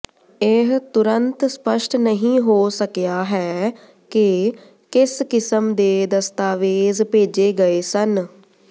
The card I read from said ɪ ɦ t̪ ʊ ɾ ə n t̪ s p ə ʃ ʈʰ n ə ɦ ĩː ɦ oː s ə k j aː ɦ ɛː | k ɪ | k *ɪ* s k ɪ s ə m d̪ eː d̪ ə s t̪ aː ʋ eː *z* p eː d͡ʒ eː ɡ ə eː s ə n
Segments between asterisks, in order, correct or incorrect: correct, correct

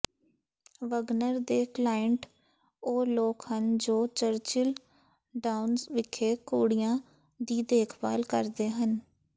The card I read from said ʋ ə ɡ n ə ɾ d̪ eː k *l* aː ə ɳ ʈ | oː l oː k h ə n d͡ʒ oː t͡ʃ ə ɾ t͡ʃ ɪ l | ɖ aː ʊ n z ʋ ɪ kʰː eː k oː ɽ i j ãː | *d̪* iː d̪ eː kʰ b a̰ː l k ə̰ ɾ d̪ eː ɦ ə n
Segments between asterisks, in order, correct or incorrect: correct, correct

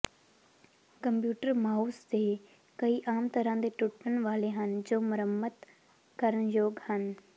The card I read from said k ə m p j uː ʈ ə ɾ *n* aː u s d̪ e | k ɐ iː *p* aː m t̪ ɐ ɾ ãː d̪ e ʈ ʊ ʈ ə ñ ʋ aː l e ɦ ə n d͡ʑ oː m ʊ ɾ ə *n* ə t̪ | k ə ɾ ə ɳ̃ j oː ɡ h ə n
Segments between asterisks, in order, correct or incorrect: incorrect: m, incorrect: ʔ, incorrect: m

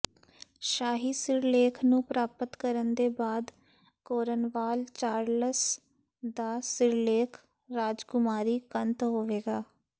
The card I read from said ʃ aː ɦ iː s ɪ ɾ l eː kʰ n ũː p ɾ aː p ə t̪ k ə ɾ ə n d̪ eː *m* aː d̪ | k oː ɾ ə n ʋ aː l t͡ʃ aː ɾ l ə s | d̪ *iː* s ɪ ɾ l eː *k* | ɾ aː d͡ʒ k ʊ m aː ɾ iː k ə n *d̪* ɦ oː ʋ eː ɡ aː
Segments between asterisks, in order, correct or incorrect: incorrect: b, incorrect: aː, incorrect: kʰ, incorrect: t̪

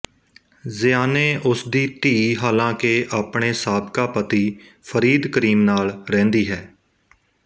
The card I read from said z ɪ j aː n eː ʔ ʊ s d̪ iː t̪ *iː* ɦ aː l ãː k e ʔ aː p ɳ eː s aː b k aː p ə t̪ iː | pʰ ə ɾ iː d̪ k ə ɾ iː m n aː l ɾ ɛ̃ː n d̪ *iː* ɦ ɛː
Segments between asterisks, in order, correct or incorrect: correct, correct

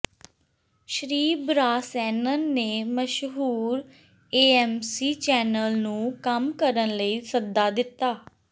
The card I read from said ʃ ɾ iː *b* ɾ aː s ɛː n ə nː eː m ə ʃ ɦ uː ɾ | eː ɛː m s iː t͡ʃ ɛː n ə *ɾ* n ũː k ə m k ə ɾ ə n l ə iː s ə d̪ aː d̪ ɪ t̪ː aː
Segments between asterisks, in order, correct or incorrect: correct, incorrect: l

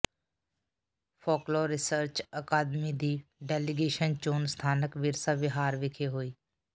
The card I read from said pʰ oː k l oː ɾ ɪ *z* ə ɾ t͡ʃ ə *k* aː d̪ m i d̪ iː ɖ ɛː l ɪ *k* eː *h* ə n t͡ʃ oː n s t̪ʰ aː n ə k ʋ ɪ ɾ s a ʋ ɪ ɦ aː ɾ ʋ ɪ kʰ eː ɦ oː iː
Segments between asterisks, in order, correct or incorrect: incorrect: s, correct, incorrect: ɡ, incorrect: ʃ

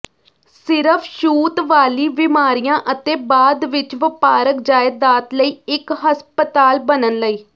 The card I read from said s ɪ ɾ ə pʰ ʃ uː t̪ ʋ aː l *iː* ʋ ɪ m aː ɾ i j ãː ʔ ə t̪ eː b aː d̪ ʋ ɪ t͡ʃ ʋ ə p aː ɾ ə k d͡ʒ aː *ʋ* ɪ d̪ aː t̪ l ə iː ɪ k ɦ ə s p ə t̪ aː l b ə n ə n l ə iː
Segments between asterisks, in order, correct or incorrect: correct, incorrect: none

